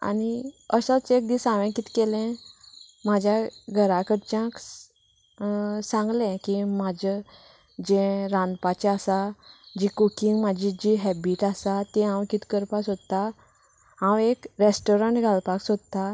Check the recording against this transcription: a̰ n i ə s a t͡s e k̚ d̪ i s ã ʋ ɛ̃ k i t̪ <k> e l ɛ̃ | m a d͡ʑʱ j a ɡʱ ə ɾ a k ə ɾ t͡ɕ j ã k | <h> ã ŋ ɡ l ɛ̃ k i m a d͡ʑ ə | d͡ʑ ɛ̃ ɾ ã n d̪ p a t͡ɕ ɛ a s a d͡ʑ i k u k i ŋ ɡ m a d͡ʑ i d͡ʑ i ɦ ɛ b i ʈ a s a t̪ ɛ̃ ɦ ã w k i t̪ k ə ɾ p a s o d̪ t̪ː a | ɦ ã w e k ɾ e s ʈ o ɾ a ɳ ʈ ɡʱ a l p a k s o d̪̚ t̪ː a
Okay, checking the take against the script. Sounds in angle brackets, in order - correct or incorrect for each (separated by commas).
correct, incorrect